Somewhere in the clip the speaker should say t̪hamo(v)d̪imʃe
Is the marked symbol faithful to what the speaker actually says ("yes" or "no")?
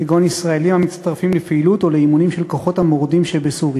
no